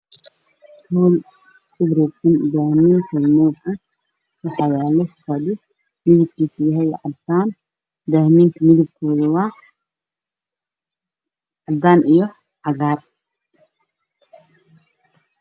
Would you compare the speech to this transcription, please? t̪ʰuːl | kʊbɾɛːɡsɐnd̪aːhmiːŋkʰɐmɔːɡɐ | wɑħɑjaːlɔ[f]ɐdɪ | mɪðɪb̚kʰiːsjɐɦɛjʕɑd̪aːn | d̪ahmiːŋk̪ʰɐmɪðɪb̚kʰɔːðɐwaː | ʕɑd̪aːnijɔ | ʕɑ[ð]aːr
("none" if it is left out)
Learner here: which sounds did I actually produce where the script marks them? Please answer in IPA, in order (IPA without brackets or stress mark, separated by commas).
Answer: f, ɣ